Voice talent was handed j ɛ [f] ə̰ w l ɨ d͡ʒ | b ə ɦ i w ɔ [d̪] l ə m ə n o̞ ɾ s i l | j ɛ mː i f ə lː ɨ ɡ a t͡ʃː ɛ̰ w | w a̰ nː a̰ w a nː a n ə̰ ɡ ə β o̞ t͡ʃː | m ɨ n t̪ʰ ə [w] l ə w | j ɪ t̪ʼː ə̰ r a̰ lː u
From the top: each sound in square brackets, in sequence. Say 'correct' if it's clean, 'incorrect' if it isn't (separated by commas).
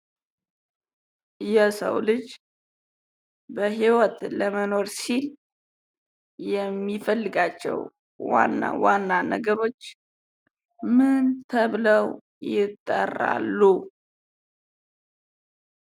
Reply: incorrect, incorrect, incorrect